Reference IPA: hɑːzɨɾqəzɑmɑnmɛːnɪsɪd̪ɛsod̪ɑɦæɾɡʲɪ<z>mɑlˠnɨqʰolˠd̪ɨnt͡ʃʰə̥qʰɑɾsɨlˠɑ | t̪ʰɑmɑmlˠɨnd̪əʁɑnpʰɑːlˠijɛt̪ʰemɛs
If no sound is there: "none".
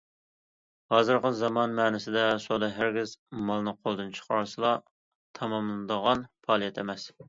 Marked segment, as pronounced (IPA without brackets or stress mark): z